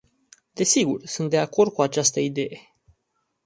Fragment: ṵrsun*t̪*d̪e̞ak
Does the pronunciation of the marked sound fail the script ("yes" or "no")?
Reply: no